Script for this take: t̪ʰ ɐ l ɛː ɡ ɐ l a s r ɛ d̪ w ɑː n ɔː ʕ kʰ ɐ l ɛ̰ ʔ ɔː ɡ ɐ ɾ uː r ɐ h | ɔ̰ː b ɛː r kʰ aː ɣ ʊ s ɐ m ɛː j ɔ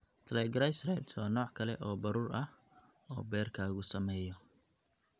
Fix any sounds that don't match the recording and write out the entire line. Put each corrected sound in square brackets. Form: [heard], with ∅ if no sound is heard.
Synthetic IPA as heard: t̪ʰ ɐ l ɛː ɡ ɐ [ɾ] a s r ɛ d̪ w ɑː n ɔː ʕ kʰ ɐ l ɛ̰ ʔ ɔː [b] ɐ ɾ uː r ɐ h | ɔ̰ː b ɛː r kʰ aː ɣ ʊ s ɐ m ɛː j ɔ